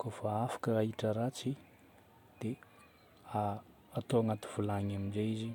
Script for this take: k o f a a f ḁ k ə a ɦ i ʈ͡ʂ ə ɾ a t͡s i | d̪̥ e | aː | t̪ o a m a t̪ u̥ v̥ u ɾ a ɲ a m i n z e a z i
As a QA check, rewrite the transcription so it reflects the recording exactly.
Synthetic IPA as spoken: k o f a a f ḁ k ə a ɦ i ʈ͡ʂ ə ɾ a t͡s i | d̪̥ e | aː | t̪ o a ŋ a t̪ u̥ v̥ u l a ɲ a m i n z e i z i

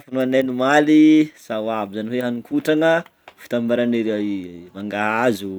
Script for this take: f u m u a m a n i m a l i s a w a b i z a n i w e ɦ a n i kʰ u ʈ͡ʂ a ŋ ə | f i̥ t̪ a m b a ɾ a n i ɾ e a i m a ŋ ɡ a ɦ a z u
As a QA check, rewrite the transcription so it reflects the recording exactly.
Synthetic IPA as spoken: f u n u a n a n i m a l i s a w a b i z a n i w e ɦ a n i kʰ u ʈ͡ʂ a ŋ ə | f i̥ t̪ a m b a ɾ a n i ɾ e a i m a ŋ ɡ a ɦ a z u

